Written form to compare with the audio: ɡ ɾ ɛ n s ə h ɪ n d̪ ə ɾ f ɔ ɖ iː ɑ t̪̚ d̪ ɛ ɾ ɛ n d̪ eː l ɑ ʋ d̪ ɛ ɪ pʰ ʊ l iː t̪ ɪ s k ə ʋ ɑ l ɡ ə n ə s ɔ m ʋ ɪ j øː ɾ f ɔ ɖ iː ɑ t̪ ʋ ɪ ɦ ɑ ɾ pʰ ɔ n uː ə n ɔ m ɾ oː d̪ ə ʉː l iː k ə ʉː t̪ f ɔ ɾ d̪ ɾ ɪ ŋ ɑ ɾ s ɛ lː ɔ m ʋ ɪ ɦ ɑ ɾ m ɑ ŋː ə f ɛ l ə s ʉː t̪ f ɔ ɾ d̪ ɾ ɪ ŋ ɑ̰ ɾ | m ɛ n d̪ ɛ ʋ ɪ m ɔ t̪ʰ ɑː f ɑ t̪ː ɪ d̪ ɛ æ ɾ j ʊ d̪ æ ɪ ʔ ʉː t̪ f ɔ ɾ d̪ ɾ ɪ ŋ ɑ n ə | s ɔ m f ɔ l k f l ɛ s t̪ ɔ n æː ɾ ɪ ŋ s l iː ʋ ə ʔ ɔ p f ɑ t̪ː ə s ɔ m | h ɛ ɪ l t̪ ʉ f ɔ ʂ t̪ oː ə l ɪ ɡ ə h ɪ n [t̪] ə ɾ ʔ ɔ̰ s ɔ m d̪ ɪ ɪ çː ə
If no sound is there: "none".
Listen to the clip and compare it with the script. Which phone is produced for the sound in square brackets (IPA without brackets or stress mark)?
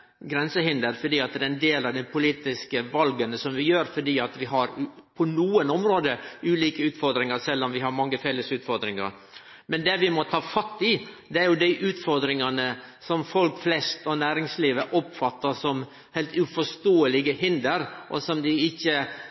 d̪